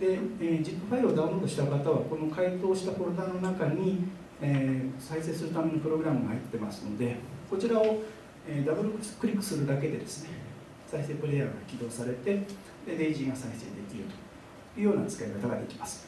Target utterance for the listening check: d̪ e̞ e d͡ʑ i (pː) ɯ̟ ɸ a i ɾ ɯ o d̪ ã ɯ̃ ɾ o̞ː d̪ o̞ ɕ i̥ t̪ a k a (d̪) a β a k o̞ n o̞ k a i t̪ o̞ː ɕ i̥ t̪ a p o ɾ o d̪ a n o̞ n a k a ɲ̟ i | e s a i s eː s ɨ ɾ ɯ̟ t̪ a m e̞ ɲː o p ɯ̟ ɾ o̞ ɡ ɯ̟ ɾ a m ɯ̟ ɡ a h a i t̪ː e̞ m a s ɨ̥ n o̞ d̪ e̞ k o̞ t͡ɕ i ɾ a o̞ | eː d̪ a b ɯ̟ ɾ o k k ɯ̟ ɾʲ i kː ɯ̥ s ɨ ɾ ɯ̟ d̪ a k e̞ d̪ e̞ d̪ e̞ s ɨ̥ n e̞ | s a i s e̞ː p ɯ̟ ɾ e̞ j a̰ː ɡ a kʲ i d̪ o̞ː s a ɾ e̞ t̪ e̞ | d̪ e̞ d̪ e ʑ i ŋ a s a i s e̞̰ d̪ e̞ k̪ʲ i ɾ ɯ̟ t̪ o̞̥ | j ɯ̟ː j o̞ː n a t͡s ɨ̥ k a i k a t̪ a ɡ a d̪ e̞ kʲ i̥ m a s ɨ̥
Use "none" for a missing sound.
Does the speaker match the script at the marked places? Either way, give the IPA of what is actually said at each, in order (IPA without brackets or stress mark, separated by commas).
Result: pː, t̪